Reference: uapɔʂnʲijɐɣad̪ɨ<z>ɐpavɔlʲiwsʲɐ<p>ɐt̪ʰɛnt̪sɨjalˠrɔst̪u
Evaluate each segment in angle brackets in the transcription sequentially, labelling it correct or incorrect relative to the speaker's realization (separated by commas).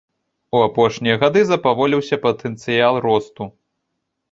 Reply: correct, correct